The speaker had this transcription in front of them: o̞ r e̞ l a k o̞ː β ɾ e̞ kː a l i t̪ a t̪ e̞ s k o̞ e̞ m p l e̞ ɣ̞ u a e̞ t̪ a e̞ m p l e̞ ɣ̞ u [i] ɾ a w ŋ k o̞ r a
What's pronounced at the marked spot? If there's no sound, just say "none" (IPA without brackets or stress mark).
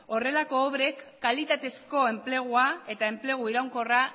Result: i